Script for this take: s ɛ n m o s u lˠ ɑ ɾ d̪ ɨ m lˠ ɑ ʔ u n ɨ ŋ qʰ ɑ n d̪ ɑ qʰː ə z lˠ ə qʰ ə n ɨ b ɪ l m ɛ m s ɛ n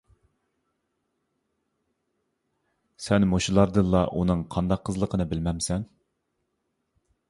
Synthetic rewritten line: s ɛ n m o ʃ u lˠ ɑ ɾ d̪ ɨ n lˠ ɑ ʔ u n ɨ ŋ qʰ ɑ n d̪ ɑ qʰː ə z lˠ ə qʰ ə n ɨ b ɪ l m ɛ m s ɛ n